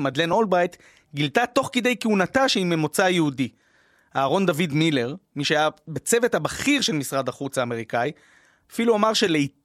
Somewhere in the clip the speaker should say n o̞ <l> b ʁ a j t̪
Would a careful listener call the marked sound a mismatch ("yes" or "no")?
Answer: no